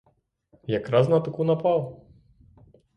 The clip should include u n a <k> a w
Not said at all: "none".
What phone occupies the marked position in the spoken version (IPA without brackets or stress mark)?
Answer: p